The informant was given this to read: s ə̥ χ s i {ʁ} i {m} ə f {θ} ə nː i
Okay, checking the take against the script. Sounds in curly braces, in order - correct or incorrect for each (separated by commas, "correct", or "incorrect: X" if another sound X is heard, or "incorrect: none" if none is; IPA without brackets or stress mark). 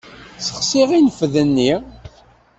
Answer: correct, incorrect: n, incorrect: ð